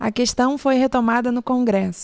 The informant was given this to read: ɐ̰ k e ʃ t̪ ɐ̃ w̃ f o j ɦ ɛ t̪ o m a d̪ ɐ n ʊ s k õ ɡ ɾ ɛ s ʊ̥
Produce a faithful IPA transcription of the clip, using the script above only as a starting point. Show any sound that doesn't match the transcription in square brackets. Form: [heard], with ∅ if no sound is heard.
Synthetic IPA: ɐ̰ k e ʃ t̪ ɐ̃ w̃ f o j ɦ [e] t̪ o m a d̪ ɐ n ʊ [∅] k õ ɡ ɾ ɛ s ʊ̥